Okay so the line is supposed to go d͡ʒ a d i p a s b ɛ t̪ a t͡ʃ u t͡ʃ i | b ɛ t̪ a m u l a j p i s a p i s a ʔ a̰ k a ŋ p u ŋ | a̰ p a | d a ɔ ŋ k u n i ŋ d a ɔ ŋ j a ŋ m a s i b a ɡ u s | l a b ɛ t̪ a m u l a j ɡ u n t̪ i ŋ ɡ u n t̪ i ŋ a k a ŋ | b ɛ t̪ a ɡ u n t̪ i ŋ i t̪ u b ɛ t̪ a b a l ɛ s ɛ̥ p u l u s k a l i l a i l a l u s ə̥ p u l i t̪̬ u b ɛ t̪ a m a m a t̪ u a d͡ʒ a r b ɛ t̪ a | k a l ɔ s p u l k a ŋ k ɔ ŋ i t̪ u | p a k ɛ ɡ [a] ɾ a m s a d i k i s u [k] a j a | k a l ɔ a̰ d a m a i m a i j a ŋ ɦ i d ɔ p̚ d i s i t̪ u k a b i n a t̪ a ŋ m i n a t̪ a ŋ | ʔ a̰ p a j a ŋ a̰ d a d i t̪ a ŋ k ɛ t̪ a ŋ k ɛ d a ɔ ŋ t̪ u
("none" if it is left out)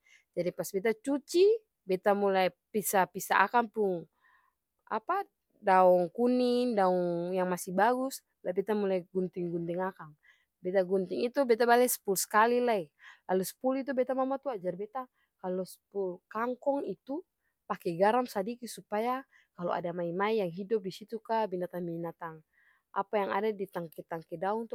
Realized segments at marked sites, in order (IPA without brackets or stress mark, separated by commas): a, p